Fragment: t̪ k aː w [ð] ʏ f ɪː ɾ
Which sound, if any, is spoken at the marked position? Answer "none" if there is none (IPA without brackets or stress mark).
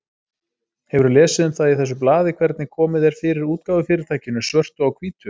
v